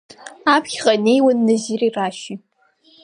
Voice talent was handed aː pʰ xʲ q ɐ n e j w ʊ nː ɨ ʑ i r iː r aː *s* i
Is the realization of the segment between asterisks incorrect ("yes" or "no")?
yes